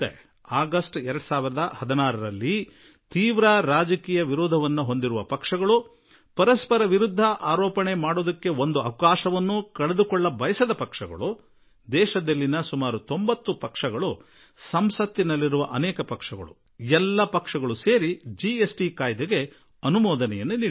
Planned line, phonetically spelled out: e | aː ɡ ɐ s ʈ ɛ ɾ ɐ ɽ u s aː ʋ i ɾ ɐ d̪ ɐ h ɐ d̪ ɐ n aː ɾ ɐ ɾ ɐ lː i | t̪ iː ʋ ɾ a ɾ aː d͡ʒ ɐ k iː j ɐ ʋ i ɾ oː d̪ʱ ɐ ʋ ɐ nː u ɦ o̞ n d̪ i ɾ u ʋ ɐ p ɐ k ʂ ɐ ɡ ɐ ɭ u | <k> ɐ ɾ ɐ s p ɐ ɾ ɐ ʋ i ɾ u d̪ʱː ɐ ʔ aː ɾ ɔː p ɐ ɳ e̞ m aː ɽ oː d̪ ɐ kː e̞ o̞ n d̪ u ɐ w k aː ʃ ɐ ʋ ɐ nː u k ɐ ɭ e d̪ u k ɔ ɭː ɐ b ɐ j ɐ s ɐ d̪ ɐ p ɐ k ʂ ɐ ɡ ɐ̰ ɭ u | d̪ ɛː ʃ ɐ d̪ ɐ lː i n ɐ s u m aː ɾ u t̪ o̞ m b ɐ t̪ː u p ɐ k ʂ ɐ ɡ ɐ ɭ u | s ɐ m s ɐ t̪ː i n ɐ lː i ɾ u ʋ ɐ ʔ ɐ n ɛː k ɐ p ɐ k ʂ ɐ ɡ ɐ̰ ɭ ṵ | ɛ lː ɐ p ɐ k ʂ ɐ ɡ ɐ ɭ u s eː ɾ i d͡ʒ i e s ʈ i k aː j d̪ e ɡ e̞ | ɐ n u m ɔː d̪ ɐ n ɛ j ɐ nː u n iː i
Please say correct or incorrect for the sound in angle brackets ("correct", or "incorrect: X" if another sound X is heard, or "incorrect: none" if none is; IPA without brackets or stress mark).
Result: incorrect: p